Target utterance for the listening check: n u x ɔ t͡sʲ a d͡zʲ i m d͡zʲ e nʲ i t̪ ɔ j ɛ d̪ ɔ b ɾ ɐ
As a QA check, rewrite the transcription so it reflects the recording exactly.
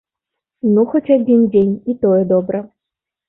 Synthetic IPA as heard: n u x ɔ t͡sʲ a d͡zʲ i n d͡zʲ e nʲ i t̪ ɔ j ɛ d̪ ɔ b ɾ ɐ